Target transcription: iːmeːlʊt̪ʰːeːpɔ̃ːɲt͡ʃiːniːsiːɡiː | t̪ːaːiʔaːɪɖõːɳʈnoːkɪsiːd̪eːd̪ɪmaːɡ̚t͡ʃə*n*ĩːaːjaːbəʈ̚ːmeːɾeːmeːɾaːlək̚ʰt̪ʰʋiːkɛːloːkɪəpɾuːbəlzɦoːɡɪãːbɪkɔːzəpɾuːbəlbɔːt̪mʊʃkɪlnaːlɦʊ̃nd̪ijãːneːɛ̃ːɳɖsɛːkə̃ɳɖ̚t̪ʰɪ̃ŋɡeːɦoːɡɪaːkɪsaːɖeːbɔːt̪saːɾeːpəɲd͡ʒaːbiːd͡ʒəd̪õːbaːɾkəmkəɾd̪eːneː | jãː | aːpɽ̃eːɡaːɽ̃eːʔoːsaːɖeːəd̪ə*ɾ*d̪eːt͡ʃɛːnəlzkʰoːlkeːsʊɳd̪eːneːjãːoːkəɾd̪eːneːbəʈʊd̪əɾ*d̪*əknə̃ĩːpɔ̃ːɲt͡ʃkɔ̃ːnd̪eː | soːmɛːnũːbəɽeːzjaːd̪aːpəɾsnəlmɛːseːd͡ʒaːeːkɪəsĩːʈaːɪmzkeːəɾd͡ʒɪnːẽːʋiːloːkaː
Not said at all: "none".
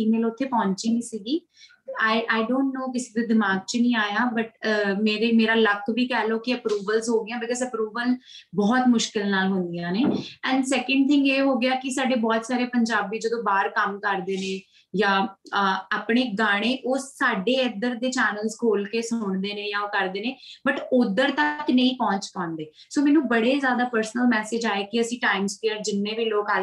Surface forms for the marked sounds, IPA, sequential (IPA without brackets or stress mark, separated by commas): n, ɾ, t̪